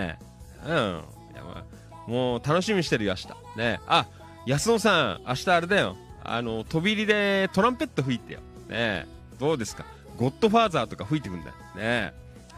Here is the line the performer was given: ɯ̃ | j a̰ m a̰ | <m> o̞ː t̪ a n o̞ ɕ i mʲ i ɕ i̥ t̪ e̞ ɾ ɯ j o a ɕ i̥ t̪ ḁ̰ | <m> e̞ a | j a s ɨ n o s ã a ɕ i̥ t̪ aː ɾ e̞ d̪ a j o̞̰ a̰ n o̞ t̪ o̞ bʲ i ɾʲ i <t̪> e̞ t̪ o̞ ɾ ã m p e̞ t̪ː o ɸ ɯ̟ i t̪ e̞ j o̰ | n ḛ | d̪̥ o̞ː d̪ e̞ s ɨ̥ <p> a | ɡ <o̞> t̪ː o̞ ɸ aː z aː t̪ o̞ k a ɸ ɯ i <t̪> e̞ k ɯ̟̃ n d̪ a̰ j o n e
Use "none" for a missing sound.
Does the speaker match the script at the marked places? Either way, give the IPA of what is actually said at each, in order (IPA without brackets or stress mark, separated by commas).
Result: m, n, d̪, k, o̞, t̪